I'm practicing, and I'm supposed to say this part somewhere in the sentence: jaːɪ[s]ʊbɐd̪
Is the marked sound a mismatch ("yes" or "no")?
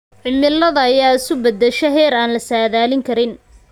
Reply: no